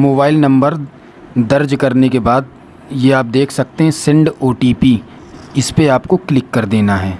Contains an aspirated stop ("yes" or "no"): yes